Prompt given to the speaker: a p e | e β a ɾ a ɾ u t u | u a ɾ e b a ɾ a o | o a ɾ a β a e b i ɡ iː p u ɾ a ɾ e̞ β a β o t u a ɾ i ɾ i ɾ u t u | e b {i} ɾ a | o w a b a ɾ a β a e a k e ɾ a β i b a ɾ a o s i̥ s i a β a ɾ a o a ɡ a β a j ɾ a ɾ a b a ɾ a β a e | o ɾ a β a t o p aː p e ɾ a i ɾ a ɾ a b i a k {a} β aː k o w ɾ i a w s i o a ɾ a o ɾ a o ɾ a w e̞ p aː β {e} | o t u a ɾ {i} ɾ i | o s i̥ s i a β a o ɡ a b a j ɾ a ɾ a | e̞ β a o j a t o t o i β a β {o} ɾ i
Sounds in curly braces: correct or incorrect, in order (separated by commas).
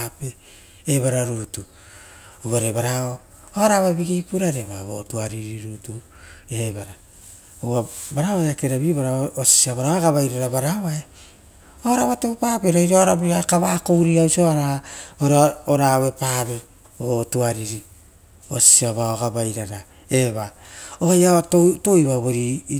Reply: incorrect, correct, correct, correct, correct